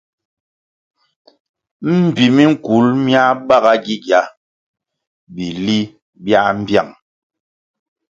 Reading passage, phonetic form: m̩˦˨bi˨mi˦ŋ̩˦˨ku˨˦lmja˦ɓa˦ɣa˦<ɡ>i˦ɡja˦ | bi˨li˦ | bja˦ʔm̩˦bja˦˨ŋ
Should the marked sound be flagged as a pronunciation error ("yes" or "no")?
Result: no